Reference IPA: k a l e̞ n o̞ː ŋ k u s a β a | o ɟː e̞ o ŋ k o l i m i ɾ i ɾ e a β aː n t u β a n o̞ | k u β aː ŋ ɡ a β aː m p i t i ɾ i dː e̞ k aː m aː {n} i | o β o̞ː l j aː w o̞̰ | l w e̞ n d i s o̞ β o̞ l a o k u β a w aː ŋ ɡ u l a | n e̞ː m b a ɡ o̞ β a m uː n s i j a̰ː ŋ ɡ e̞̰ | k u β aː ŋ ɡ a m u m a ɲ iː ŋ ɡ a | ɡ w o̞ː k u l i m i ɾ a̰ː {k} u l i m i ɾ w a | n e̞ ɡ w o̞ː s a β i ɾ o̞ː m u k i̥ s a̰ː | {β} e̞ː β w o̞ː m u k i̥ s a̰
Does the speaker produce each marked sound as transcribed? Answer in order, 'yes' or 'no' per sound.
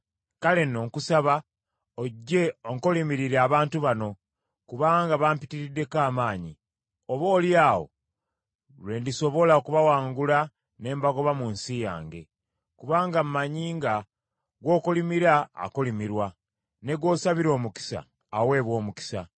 no, yes, no

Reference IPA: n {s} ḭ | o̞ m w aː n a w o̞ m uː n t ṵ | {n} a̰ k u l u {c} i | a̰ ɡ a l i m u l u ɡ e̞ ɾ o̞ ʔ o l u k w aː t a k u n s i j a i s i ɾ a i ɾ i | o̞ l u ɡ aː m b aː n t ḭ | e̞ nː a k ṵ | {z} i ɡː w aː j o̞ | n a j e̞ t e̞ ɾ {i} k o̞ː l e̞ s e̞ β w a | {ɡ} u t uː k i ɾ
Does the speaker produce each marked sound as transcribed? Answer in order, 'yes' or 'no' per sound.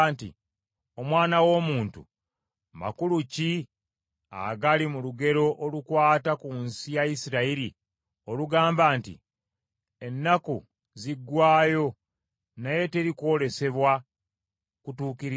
no, no, yes, yes, yes, no

